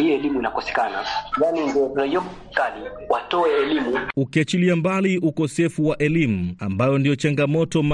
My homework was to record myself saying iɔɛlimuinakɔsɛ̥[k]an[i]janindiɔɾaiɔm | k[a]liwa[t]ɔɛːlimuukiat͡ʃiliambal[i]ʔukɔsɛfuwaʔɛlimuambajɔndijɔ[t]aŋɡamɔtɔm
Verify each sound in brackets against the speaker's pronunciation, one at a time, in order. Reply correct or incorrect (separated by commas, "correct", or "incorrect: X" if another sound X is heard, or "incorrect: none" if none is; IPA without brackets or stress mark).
correct, incorrect: a, correct, correct, correct, incorrect: t͡ʃ